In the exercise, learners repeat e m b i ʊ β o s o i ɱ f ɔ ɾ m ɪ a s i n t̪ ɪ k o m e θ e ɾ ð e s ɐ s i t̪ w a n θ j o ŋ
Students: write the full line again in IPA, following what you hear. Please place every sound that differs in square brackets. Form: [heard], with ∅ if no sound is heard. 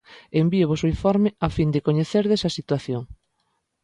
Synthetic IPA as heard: e m b i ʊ β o s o i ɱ f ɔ ɾ m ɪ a [f] i n [d̪] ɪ k o [ɲ] e θ e ɾ ð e s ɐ s i t̪ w a [∅] θ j o ŋ